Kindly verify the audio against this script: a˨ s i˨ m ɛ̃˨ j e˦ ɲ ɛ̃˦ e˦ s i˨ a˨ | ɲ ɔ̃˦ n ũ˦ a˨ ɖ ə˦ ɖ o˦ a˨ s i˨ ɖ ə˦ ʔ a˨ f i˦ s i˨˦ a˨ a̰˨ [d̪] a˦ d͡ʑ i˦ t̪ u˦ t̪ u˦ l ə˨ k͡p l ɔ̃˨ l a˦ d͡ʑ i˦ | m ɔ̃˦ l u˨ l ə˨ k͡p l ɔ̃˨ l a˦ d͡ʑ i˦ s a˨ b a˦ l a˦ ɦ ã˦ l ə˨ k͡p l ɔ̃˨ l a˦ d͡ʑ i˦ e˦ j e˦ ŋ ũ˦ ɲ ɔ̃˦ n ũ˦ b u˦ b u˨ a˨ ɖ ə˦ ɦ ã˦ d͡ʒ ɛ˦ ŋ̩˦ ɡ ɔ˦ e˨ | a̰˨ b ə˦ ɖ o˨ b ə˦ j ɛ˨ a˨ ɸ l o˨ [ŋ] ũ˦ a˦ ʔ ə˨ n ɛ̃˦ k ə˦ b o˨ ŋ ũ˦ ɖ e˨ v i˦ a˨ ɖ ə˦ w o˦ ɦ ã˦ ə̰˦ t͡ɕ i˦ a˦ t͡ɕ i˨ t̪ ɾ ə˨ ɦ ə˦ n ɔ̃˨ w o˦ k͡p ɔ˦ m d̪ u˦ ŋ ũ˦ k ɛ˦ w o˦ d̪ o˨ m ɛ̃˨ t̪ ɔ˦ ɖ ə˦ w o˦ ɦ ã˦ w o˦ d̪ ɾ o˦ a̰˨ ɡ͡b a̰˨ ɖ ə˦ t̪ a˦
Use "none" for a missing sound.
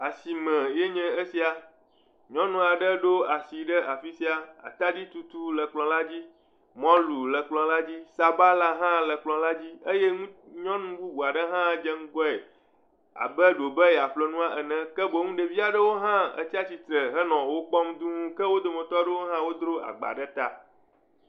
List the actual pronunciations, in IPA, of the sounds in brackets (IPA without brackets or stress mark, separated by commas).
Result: t̪, n